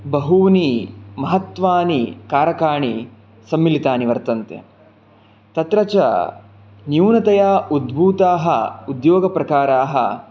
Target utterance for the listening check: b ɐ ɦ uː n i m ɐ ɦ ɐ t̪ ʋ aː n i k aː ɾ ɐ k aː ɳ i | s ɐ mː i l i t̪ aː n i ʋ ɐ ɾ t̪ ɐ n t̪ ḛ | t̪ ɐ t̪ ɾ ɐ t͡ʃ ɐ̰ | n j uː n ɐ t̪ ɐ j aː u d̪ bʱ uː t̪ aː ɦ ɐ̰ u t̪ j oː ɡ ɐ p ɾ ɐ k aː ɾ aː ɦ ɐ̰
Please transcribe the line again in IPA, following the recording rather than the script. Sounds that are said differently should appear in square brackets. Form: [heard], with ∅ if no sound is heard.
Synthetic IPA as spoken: b ɐ ɦ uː n i m ɐ ɦ ɐ t̪ ʋ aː n i k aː ɾ ɐ k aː ɳ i | s ɐ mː i l i t̪ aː n i ʋ ɐ ɾ t̪ ɐ n t̪ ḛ | t̪ ɐ t̪ ɾ ɐ t͡ʃ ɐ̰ | n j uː n ɐ t̪ ɐ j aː u d̪ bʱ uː t̪ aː ɦ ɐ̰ u [d̪] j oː ɡ ɐ p ɾ ɐ k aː ɾ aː ɦ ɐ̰

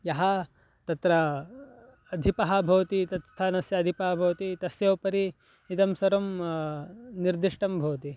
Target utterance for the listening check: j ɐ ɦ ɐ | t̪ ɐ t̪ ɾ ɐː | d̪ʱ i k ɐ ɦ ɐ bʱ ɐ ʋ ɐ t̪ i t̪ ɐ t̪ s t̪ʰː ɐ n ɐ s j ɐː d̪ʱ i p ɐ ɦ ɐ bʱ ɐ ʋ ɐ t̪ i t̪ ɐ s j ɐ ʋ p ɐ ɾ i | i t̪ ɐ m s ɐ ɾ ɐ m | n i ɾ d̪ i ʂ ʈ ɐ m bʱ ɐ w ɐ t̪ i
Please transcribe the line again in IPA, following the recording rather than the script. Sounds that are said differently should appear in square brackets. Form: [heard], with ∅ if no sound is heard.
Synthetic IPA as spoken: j ɐ ɦ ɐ | t̪ ɐ t̪ ɾ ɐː | d̪ʱ i [p] ɐ ɦ ɐ bʱ ɐ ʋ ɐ t̪ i t̪ ɐ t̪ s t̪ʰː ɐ n ɐ s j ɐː d̪ʱ i p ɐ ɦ ɐ bʱ ɐ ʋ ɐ t̪ i t̪ ɐ s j ɐ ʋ p ɐ ɾ i | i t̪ ɐ m s ɐ ɾ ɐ m | n i ɾ d̪ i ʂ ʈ ɐ m bʱ ɐ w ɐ t̪ i

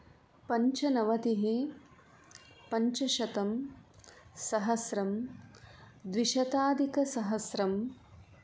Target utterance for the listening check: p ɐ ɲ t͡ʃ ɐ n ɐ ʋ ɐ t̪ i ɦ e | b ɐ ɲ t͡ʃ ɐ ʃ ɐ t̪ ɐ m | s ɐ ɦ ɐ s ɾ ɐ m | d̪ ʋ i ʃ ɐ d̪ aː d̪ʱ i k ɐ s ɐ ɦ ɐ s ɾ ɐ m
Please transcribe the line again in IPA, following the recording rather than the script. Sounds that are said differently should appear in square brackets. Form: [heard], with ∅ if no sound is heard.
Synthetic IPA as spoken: p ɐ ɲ t͡ʃ ɐ n ɐ ʋ ɐ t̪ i ɦ e | [p] ɐ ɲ t͡ʃ ɐ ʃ ɐ t̪ ɐ m | s ɐ ɦ ɐ s ɾ ɐ m | d̪ ʋ i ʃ ɐ [t̪] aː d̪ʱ i k ɐ s ɐ ɦ ɐ s ɾ ɐ m

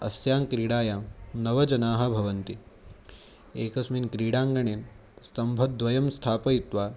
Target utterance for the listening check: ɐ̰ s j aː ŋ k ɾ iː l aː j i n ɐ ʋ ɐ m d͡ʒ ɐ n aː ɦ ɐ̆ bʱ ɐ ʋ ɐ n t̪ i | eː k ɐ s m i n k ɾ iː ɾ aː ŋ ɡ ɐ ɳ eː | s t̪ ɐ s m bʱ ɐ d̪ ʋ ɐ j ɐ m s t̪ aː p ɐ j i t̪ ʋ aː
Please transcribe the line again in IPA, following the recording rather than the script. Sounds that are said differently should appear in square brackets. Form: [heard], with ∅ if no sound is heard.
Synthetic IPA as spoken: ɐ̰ s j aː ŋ k ɾ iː [ɽ] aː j [a] n ɐ ʋ ɐ [∅] d͡ʒ ɐ n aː ɦ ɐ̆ bʱ ɐ ʋ ɐ n t̪ i | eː k ɐ s m i n k ɾ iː [ɽ] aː ŋ ɡ ɐ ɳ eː | s t̪ ɐ [∅] m bʱ ɐ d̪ ʋ ɐ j ɐ m s [t̪ʰ] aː p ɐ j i t̪ ʋ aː

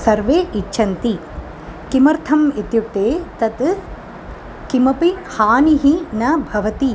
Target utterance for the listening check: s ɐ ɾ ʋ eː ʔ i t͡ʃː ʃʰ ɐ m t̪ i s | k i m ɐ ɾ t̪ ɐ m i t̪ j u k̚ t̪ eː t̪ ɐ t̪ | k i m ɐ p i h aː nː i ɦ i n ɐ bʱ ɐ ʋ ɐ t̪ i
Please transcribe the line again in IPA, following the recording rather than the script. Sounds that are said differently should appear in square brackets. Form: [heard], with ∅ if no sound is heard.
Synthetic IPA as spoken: s ɐ ɾ ʋ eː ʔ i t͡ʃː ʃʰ ɐ [n] t̪ i [∅] | k i m ɐ ɾ [t̪ʰ] ɐ m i t̪ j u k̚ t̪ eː t̪ ɐ t̪ | k i m ɐ p i h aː [n] i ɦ i n ɐ bʱ ɐ ʋ ɐ t̪ i

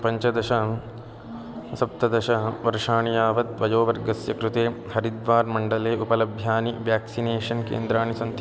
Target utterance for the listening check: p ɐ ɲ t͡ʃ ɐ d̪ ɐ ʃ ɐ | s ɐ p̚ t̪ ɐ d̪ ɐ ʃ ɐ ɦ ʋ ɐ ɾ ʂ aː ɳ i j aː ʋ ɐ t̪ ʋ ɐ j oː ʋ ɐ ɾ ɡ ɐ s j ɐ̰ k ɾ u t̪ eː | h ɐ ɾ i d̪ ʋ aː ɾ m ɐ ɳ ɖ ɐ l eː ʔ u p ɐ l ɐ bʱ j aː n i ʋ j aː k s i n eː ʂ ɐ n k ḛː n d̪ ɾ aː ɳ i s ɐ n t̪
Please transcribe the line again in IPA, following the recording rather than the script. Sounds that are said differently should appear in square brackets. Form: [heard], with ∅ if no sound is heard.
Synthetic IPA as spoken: p ɐ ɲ t͡ʃ ɐ d̪ ɐ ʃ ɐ | s ɐ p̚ t̪ ɐ d̪ ɐ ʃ ɐ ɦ ʋ ɐ ɾ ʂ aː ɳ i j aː ʋ ɐ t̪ ʋ ɐ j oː ʋ ɐ ɾ ɡ ɐ s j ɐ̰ k ɾ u t̪ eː | h ɐ ɾ i d̪ ʋ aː ɾ m ɐ ɳ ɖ ɐ l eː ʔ u p ɐ l ɐ bʱ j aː n i ʋ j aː k s i n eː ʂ ɐ n k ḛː n d̪ ɾ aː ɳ i s ɐ n t̪

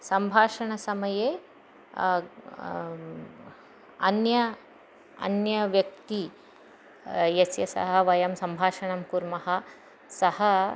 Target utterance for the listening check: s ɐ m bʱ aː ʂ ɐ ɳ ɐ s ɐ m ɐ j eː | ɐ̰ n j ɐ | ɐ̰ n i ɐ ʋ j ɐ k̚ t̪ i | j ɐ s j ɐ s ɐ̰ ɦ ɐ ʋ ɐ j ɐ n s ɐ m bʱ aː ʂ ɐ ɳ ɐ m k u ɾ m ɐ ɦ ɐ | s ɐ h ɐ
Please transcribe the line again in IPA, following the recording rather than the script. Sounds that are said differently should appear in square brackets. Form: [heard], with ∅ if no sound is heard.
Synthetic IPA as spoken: s ɐ m bʱ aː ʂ ɐ ɳ ɐ s ɐ m ɐ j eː | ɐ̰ n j ɐ | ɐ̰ n [j] ɐ ʋ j ɐ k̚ t̪ i | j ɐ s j ɐ s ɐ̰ ɦ ɐ ʋ ɐ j ɐ [m] s ɐ m bʱ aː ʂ ɐ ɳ ɐ m k u ɾ m ɐ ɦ ɐ | s ɐ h ɐ

